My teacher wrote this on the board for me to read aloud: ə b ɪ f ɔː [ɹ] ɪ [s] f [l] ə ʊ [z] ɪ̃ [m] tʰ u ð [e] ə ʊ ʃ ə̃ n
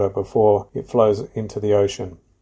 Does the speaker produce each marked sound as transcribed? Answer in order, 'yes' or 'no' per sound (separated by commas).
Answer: yes, no, yes, yes, no, no